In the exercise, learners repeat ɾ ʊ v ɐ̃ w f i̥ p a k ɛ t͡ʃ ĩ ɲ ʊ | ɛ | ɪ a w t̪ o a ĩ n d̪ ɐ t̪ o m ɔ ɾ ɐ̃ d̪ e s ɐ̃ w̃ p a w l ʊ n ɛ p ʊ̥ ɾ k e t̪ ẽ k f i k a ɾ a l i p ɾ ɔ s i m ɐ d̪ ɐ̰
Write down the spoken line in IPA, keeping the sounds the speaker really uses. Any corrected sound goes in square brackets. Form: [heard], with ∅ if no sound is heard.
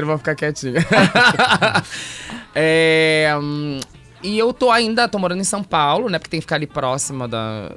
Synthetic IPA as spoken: ɾ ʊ v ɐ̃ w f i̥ [k] a k ɛ t͡ʃ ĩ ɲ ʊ | ɛ | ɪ [e] w t̪ o a ĩ n d̪ ɐ t̪ o m [o] ɾ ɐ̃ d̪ [ẽ] s ɐ̃ w̃ p a w l ʊ n ɛ p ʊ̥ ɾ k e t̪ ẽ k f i k a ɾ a l i p ɾ ɔ s i m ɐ d̪ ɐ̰